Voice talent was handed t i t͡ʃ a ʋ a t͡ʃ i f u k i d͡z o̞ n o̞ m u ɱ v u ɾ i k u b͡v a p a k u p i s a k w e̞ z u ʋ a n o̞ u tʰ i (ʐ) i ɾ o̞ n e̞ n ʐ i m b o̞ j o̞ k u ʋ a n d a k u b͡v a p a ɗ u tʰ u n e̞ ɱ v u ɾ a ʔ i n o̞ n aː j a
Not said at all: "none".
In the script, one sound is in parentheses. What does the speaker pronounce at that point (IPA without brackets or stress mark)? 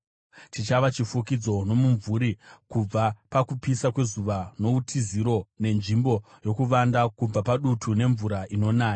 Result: z